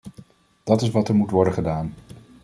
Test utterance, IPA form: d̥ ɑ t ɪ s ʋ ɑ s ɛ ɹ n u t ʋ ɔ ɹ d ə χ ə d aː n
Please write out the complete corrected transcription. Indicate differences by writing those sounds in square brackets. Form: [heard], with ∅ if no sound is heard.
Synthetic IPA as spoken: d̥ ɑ t ɪ s ʋ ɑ [t] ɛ ɹ [m] u t ʋ ɔ ɹ d ə χ ə d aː n